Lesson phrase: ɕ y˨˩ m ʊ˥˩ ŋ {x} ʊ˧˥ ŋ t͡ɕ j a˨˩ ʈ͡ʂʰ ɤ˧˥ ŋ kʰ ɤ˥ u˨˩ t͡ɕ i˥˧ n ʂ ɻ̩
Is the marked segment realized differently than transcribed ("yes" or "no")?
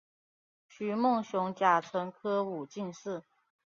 yes